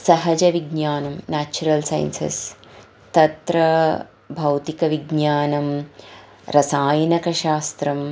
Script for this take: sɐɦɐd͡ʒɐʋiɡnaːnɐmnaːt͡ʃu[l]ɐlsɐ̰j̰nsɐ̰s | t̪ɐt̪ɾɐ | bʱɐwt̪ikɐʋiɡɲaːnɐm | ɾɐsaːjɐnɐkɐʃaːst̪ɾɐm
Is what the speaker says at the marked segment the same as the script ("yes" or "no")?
no